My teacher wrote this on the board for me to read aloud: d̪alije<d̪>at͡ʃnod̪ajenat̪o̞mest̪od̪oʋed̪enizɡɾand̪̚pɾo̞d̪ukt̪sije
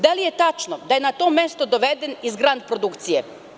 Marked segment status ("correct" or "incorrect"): incorrect